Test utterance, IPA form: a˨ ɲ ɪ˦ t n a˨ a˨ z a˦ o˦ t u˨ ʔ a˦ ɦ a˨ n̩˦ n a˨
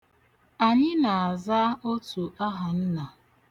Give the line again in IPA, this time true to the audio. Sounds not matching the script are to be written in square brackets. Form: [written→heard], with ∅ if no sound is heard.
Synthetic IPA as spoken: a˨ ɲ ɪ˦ [t→∅] n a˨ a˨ z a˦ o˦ t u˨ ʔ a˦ ɦ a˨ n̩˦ n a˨